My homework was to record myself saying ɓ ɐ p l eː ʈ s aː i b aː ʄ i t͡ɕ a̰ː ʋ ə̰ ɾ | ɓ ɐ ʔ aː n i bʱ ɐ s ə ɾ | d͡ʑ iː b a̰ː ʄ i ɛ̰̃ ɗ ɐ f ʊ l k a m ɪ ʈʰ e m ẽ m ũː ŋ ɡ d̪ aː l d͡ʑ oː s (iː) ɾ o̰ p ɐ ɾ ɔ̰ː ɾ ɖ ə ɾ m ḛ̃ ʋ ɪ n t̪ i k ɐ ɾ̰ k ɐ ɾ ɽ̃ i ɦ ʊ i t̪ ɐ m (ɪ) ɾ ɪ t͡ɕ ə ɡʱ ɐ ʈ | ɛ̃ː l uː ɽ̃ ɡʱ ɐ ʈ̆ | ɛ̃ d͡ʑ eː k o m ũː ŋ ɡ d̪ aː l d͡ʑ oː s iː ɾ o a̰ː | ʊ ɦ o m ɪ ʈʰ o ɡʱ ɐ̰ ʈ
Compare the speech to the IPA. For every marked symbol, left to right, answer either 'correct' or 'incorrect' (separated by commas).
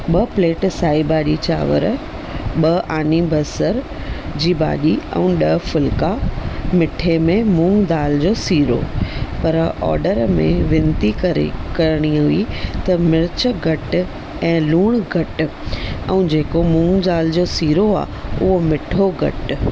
correct, correct